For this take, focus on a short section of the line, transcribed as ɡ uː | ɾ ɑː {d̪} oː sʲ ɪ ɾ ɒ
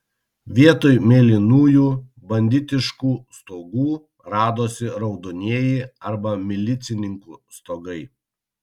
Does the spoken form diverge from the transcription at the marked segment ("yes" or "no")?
no